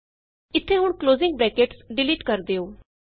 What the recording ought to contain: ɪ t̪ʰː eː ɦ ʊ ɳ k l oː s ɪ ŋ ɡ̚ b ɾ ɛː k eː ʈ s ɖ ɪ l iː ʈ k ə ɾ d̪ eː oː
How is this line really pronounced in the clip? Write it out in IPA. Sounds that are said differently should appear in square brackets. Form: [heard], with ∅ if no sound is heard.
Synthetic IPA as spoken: ɪ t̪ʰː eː ɦ ʊ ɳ k l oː [z] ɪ ŋ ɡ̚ b ɾ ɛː k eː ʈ s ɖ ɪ l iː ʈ k ə ɾ d̪ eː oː